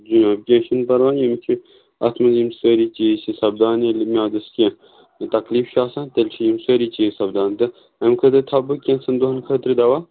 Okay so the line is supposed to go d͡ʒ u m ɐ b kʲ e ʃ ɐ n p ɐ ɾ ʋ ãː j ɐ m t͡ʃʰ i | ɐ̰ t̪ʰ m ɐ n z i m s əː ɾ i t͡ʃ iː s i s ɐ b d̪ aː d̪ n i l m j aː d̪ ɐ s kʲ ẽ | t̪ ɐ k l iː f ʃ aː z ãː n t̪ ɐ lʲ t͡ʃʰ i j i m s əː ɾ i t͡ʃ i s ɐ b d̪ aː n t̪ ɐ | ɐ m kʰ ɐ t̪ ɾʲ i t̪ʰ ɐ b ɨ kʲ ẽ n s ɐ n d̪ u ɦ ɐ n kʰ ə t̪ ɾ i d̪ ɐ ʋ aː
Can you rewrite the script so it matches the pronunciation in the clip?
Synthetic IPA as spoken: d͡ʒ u n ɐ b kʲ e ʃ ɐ n p ɐ ɾ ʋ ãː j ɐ m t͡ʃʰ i | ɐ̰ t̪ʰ m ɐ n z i m s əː ɾ i t͡ʃ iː s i s ɐ b d̪ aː n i l m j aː d̪ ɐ s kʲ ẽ | t̪ ɐ k l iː f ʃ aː s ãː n t̪ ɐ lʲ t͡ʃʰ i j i m s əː ɾ i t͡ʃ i s ɐ b d̪ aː n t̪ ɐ | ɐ m kʰ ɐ t̪ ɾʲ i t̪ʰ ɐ b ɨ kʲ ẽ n s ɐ n d̪ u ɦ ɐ n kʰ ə t̪ ɾ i d̪ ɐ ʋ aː